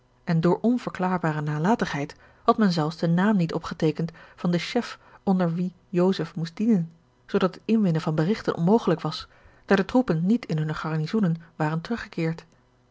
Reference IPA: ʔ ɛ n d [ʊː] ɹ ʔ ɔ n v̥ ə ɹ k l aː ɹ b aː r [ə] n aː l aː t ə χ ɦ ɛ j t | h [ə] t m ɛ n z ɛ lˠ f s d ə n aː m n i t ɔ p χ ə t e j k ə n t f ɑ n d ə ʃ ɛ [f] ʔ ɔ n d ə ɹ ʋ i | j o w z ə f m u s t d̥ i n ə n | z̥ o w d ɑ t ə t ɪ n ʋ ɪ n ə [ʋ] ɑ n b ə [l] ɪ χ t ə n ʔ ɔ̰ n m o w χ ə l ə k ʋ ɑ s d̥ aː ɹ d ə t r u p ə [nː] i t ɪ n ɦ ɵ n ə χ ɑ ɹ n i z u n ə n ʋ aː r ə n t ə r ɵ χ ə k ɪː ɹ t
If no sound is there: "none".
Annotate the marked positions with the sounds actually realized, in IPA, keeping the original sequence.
ʊː, ə, ɑ, f, v, r, nː

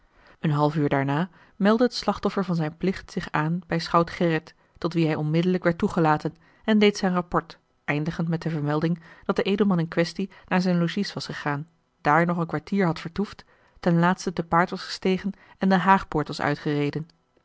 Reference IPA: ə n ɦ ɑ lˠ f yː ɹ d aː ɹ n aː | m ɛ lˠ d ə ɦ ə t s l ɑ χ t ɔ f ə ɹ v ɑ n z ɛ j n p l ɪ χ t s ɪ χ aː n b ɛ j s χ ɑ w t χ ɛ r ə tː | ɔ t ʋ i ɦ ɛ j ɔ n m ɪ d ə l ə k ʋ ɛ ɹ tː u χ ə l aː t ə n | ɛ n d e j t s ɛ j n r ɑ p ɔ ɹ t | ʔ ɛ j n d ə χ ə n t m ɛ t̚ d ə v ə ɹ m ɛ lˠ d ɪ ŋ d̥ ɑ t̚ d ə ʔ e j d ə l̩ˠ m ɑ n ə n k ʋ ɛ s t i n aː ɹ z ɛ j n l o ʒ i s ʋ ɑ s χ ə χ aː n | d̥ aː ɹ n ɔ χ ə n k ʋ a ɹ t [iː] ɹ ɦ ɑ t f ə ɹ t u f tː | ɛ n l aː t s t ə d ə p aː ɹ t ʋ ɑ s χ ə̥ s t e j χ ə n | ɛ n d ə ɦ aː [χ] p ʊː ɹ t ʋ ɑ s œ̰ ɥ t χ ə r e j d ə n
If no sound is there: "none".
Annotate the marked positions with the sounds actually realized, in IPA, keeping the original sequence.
iː, χ

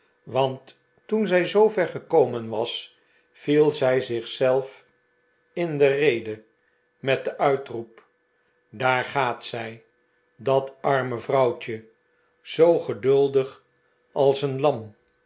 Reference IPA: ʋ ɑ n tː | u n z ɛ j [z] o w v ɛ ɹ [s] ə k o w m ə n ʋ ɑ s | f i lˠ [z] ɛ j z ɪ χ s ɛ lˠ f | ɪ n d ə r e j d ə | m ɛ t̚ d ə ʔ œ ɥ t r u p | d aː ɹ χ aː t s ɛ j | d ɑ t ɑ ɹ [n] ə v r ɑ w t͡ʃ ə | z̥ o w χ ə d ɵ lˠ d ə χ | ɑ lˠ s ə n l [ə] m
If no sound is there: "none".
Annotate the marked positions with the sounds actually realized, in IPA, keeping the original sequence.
z, χ, z, m, ɑ

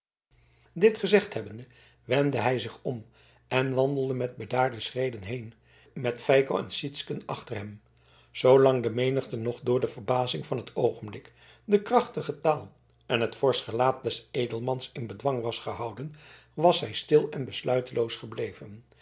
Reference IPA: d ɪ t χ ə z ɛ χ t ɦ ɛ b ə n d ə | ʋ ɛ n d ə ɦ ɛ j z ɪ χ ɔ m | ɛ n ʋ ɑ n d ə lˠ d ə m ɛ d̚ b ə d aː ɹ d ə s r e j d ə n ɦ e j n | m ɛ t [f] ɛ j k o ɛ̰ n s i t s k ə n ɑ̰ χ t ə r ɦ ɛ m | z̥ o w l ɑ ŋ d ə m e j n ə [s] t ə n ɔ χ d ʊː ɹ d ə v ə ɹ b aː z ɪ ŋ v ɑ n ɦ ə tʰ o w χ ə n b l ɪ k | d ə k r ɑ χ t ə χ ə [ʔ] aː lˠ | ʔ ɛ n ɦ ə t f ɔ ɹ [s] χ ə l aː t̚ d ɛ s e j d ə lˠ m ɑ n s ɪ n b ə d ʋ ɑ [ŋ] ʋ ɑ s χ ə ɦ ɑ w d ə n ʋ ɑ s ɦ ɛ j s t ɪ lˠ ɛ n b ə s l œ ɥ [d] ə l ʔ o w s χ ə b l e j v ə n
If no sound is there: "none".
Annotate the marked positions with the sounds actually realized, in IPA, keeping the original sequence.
f, χ, t, s, ŋ, t

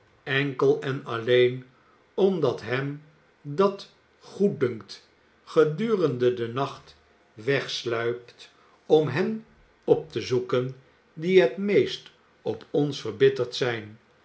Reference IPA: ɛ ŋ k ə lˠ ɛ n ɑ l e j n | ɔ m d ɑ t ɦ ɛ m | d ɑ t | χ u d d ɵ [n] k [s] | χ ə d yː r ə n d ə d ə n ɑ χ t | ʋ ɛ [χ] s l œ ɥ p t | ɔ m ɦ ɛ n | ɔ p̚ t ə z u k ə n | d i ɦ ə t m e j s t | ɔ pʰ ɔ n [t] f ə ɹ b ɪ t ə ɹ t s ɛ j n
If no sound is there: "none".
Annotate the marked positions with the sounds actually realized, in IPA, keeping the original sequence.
ŋ, t, χ, s

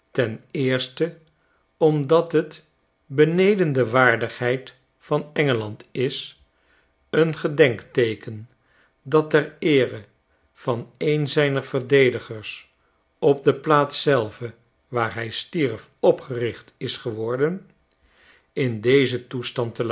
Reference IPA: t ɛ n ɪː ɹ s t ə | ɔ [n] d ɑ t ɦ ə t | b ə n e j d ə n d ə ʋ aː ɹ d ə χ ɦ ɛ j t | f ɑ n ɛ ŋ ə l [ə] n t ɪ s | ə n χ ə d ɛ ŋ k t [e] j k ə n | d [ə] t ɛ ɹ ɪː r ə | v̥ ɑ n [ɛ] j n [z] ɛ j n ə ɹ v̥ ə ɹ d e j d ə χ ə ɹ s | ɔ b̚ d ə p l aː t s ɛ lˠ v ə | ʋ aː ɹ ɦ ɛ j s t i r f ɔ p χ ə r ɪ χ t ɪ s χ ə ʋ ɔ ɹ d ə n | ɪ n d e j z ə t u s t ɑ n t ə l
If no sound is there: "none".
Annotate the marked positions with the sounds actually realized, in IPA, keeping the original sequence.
m, ɑ, e, ɑ, e, z

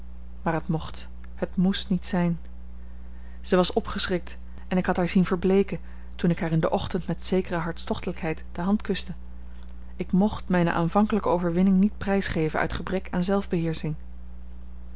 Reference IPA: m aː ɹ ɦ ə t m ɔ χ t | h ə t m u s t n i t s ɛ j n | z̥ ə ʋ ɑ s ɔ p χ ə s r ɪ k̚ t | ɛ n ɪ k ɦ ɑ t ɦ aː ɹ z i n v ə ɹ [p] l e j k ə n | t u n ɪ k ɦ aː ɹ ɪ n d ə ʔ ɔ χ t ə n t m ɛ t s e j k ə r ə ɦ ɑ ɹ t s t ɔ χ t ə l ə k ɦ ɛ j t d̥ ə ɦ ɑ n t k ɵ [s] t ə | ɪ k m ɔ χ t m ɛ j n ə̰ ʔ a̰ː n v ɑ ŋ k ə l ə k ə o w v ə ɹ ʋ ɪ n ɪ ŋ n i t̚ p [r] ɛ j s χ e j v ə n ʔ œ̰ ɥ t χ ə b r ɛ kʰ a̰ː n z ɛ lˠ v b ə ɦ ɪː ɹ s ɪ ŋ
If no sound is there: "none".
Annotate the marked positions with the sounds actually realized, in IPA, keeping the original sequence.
b, s, r

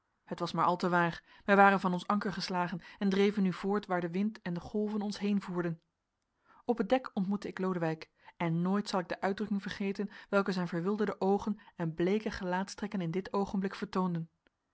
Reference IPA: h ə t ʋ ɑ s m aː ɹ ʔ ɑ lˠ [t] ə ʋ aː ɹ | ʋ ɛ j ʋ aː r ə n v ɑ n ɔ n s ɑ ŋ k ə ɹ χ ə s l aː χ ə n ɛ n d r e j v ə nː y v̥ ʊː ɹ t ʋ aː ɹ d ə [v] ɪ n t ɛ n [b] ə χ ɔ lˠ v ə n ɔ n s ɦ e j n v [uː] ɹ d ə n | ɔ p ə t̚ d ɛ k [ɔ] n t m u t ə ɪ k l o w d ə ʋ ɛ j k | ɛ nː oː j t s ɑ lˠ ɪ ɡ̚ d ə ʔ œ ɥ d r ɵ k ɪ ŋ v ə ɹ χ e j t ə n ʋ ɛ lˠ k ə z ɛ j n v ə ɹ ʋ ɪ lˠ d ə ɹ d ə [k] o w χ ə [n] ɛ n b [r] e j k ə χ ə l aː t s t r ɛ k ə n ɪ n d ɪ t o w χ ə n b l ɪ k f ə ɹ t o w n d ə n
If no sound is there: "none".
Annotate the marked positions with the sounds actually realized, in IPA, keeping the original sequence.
t, ʋ, d, uː, ɔ, ʔ, n, l

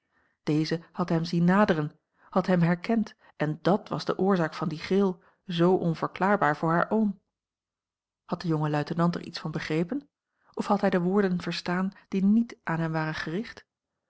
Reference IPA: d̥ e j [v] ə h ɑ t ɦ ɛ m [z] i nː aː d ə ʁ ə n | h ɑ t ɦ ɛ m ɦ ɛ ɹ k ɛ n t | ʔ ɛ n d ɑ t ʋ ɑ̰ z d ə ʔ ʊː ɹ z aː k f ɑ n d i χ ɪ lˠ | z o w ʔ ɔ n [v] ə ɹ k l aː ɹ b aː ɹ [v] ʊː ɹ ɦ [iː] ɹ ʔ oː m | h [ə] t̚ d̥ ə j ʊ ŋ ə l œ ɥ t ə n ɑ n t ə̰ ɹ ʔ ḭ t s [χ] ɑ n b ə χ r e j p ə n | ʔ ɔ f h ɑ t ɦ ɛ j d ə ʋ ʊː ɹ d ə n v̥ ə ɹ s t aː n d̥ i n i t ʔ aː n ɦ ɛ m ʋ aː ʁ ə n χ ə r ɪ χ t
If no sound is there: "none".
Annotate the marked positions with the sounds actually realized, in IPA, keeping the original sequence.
z, z, v, v, aː, ɑ, f

